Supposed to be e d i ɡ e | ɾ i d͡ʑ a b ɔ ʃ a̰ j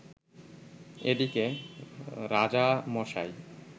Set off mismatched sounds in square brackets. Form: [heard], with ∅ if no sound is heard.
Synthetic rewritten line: e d i [k] e | ɾ [a] d͡ʑ a [m] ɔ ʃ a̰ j